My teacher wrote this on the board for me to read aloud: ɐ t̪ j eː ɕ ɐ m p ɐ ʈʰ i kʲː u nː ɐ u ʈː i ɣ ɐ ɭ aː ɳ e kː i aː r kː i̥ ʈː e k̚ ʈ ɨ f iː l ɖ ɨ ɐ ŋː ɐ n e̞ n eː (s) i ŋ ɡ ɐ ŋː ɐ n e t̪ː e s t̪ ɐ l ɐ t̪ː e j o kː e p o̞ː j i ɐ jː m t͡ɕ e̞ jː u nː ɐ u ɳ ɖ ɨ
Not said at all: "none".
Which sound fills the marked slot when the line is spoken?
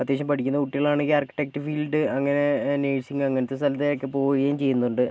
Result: s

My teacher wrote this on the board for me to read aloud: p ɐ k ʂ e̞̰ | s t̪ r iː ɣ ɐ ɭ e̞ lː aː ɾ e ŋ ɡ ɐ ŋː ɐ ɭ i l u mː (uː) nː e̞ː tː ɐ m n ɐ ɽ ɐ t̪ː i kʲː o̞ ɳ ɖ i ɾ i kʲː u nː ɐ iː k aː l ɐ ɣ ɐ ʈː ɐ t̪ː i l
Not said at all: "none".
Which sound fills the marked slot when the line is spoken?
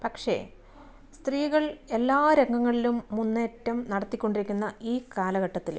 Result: u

